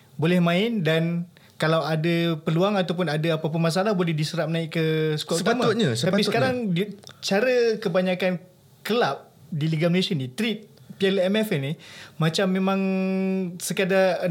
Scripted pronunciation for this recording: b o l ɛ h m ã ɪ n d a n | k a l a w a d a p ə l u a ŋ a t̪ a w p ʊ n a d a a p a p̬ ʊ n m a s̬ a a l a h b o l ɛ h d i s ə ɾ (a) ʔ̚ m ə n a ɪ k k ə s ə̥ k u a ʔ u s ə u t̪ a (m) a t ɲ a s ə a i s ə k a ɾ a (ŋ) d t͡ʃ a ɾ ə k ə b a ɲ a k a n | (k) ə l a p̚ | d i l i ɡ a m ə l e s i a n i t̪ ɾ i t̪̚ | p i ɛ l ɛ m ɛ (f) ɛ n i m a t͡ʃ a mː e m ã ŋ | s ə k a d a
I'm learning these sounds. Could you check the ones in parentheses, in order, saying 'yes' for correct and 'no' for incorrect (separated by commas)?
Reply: yes, yes, yes, yes, yes